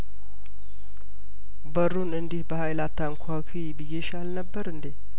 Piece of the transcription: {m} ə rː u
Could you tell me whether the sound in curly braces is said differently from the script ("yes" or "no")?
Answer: yes